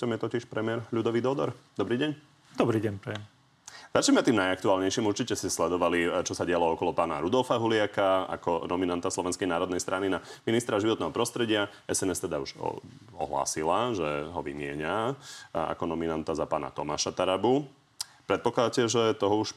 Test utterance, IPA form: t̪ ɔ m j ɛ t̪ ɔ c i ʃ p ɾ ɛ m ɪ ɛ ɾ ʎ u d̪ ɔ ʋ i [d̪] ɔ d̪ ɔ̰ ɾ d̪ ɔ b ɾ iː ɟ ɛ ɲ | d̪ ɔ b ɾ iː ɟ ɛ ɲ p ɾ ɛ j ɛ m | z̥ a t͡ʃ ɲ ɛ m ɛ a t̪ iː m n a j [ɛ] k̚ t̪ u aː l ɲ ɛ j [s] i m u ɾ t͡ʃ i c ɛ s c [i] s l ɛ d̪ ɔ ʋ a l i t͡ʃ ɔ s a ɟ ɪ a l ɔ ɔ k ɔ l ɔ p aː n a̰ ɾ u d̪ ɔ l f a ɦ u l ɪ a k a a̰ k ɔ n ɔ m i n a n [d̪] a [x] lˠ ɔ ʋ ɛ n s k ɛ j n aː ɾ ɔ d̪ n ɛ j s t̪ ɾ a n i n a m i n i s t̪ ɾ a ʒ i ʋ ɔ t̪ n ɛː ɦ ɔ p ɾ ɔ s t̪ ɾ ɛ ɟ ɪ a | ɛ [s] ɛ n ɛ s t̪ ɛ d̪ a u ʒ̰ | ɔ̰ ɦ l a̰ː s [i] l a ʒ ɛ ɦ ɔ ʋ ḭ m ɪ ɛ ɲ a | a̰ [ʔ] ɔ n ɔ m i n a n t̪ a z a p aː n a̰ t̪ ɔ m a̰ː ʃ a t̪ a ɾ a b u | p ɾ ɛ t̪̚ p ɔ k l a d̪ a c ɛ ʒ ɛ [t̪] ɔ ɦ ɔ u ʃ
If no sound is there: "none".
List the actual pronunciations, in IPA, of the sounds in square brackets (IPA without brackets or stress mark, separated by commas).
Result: d̪, a, ʃ, ɛ, t̪, s, s, i, k, t̪